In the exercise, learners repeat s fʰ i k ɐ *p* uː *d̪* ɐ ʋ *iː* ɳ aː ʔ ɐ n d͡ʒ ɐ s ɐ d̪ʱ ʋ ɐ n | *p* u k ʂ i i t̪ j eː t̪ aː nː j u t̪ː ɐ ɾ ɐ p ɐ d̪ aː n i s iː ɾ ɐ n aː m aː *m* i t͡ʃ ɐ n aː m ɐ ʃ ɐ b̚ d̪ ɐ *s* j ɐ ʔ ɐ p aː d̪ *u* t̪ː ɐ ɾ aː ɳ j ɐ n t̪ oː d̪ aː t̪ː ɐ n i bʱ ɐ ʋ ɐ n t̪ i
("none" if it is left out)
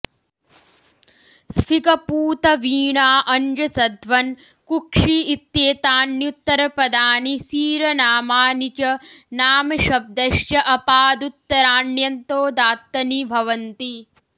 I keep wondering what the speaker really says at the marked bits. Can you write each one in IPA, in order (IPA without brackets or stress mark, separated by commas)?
p, t̪, iː, k, n, ʃ, u